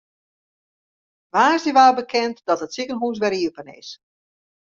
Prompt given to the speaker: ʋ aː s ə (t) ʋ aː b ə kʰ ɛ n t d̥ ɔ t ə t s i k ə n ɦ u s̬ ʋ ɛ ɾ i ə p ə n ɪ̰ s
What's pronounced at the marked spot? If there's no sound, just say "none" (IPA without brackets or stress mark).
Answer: none